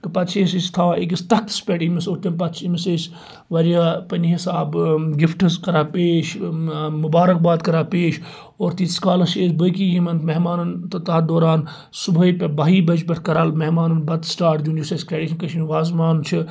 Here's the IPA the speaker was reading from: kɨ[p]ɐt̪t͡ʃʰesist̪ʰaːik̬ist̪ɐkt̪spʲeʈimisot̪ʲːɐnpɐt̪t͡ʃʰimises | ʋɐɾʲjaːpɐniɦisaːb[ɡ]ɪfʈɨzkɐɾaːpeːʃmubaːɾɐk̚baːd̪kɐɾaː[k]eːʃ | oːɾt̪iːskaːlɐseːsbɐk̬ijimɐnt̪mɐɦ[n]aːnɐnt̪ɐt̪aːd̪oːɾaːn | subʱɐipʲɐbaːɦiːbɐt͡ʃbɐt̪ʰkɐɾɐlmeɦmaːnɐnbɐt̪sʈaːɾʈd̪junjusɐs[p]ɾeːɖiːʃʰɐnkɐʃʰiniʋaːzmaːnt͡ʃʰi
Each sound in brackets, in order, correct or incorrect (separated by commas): correct, correct, incorrect, incorrect, incorrect